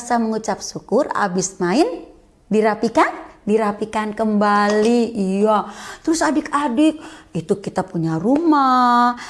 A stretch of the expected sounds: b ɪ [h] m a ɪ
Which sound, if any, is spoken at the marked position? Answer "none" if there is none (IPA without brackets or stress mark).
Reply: s